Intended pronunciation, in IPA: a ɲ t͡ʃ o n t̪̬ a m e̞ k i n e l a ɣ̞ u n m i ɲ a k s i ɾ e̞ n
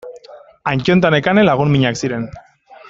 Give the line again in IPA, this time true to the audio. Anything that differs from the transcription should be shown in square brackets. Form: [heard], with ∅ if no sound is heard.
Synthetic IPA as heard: a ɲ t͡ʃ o n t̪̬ a [n] e̞ k [a] n e l a ɣ̞ u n m i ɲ a k s i ɾ e̞ n